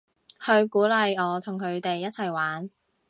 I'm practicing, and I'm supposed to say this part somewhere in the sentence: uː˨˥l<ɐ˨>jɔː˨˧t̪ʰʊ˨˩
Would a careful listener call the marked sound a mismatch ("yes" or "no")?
no